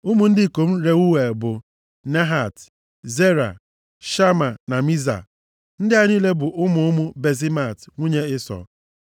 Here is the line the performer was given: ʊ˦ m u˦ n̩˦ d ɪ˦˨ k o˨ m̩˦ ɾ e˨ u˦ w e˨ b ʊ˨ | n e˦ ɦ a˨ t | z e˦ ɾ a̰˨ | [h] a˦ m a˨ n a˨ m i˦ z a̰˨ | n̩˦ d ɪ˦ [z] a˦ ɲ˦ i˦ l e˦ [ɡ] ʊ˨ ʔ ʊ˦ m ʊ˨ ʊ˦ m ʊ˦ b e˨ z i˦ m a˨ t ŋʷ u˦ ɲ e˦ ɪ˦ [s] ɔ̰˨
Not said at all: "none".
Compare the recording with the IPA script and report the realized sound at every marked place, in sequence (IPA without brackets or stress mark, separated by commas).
ʃ, none, b, s